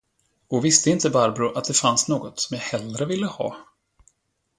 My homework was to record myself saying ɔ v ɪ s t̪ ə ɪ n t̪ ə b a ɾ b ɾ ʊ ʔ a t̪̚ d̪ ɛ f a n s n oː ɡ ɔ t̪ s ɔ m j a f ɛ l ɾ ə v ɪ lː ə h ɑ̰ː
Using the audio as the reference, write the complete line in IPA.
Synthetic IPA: ɔ v ɪ s t̪ ə ɪ n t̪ ə b a ɾ b ɾ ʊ ʔ a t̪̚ d̪ ɛ f a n s n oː ɡ ɔ t̪ s ɔ m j a h ɛ l ɾ ə v ɪ lː ə h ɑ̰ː